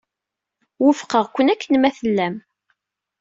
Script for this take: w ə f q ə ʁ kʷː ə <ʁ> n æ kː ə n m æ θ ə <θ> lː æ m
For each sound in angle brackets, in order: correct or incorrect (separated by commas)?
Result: incorrect, incorrect